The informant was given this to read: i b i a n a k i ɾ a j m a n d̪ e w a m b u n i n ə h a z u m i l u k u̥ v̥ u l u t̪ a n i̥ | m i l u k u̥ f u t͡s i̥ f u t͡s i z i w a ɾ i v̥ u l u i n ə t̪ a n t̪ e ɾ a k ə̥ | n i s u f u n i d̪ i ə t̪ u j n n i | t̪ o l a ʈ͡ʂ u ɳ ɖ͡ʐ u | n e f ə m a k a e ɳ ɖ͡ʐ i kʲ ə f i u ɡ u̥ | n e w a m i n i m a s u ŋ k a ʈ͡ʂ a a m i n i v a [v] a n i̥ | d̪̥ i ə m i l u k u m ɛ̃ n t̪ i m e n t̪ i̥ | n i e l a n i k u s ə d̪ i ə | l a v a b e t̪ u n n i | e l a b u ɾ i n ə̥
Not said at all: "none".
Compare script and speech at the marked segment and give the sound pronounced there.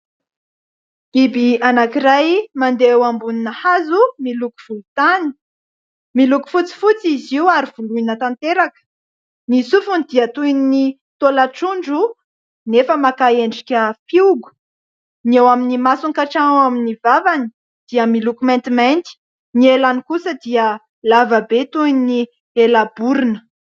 v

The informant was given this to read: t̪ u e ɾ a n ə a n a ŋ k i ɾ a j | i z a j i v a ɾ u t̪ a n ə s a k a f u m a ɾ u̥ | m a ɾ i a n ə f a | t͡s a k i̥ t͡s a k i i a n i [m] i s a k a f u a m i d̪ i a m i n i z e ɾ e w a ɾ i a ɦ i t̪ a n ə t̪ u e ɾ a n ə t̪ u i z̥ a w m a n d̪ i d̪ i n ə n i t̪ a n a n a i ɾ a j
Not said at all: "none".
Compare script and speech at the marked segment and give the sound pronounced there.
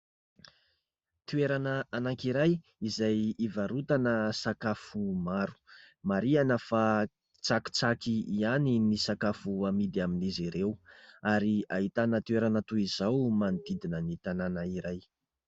n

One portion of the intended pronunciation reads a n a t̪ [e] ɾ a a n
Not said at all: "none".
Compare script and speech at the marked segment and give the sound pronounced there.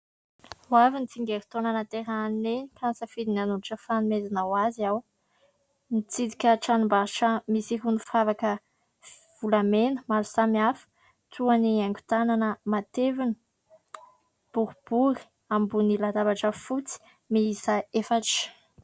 e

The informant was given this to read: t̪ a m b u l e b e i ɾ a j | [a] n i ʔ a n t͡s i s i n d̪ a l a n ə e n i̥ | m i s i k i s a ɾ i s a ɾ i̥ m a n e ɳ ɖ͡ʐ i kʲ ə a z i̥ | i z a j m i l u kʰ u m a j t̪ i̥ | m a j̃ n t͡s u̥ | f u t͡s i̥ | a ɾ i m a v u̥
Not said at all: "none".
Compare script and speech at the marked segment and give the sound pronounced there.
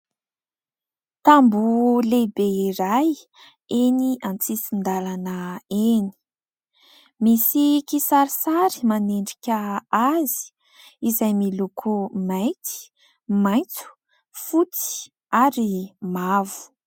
e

